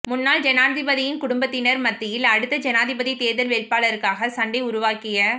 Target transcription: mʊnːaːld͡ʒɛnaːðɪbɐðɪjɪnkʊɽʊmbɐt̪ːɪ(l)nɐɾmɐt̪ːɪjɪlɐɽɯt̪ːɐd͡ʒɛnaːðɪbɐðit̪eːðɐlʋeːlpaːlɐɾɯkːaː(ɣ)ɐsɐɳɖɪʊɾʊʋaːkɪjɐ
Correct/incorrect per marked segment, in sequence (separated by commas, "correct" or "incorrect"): incorrect, correct